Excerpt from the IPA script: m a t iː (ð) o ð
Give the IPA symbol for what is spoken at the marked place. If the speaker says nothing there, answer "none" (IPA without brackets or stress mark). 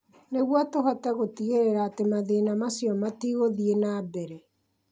ɣ